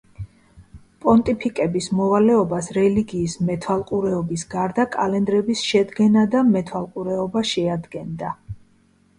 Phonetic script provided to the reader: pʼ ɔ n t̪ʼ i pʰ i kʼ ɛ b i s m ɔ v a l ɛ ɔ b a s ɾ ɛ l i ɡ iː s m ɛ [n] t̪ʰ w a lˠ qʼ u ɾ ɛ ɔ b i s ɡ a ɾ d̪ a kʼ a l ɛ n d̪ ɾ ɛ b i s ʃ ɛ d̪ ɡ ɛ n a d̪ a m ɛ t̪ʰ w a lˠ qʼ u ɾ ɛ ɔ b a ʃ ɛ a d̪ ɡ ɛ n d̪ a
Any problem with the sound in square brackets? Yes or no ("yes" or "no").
yes